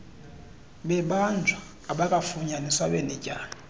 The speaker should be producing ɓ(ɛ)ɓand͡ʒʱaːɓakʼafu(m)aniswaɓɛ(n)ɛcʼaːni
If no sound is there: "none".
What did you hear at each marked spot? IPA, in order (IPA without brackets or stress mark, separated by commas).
ɛ, ɲ, n